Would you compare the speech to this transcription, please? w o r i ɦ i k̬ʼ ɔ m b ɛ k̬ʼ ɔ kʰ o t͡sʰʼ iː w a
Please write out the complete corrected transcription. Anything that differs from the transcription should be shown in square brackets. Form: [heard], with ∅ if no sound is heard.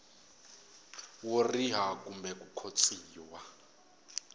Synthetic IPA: w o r i ɦ [a] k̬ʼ [u] m b ɛ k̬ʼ [u] kʰ o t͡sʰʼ iː w a